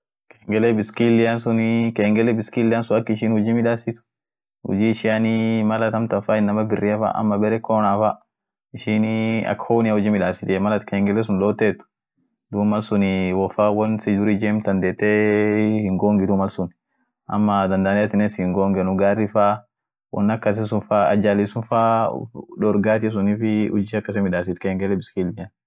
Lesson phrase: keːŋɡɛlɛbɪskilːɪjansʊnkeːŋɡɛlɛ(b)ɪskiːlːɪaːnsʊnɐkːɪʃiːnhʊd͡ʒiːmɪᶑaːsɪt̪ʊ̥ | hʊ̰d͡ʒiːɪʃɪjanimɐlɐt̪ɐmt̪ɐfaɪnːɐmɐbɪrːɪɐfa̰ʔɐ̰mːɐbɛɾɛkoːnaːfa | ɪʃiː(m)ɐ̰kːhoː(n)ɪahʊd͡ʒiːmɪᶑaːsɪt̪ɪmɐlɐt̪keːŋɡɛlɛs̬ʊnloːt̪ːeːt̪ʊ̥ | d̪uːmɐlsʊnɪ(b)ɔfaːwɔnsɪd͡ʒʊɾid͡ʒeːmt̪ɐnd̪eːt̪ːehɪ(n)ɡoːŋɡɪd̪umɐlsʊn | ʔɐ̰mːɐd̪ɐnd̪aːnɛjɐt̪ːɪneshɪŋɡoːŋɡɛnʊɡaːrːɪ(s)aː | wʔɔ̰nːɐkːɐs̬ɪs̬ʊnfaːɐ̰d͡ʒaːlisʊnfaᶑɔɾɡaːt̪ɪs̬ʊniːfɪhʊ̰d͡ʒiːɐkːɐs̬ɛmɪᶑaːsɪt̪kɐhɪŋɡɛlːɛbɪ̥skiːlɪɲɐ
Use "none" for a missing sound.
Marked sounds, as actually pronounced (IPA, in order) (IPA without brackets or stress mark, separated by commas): b, n, n, w, ŋ, f